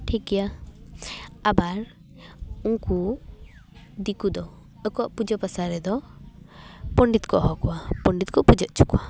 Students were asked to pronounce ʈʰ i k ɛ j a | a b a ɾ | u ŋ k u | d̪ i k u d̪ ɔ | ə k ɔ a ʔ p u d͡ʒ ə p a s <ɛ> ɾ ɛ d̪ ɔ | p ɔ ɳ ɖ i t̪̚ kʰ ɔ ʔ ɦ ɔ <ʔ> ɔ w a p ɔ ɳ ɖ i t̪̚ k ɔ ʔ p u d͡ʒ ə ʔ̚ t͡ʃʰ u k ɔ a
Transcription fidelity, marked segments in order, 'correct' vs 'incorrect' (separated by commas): incorrect, incorrect